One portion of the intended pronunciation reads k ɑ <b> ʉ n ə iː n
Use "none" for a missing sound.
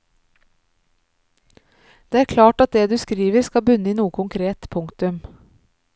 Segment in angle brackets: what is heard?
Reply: b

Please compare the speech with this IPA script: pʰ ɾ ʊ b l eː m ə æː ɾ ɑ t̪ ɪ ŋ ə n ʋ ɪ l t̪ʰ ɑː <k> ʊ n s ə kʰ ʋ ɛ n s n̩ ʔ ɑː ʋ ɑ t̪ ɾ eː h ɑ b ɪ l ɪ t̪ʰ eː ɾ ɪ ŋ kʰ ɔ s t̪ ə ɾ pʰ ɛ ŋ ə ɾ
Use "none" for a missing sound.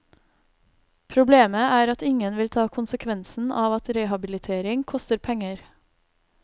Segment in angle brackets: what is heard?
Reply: kʰ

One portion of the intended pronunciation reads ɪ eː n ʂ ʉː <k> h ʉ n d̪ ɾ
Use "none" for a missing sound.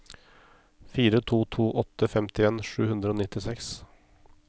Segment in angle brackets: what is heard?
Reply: none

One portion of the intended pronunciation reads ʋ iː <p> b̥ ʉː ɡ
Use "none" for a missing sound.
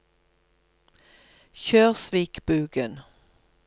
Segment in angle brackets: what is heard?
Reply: k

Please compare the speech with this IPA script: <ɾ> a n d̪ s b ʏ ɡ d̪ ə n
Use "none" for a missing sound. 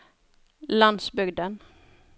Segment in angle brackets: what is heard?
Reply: l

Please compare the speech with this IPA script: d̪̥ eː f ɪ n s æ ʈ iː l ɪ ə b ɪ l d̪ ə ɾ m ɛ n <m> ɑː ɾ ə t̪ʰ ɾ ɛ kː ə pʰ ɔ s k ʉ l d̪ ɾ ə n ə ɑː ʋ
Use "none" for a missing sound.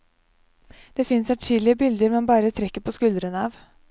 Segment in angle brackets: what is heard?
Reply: b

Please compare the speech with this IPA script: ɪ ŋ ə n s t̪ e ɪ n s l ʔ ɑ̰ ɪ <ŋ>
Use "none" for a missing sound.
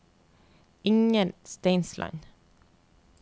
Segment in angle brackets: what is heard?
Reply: n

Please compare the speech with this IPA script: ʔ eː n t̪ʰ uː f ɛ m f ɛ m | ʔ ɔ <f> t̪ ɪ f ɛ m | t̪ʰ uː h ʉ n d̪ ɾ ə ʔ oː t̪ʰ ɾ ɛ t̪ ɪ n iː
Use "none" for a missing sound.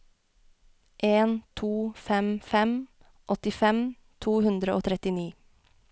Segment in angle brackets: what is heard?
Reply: none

